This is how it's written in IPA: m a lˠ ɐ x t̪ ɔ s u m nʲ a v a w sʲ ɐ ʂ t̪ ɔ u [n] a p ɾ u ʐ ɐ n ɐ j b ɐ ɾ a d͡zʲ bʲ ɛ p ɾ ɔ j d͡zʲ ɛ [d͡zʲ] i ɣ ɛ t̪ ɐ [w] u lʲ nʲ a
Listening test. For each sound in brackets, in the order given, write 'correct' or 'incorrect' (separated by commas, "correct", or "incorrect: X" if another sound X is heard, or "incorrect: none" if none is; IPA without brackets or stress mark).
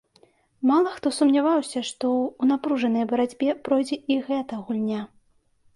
correct, incorrect: none, incorrect: ɣ